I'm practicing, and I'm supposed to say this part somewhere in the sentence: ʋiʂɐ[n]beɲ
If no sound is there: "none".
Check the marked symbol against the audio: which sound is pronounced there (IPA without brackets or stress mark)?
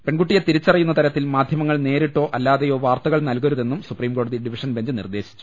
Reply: n